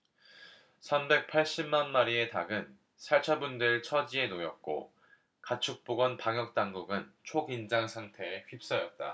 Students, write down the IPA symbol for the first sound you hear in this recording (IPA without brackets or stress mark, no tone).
sʰ